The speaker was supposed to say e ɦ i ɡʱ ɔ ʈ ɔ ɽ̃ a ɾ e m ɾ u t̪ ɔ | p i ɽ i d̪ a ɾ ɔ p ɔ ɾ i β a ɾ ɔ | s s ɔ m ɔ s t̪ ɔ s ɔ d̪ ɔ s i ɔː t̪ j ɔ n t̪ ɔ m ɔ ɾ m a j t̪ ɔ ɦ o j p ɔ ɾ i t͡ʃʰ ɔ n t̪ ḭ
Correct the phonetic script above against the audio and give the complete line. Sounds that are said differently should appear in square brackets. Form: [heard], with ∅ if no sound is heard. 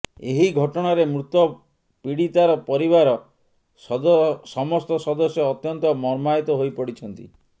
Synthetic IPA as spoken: e ɦ i ɡʱ ɔ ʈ ɔ ɽ̃ a ɾ e m ɾ u t̪ ɔ | p i ɽ i [t̪] a ɾ ɔ p ɔ ɾ i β a ɾ ɔ | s s ɔ m ɔ s t̪ ɔ s ɔ d̪ ɔ s [j] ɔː t̪ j ɔ n t̪ ɔ m ɔ ɾ m a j t̪ ɔ ɦ o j p ɔ [ɽ] i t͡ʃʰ ɔ n t̪ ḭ